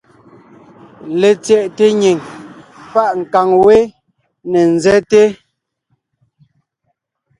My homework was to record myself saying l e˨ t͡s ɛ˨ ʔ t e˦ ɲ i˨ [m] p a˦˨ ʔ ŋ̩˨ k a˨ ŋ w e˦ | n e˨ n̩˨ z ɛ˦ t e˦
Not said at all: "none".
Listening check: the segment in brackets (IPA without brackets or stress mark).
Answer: ŋ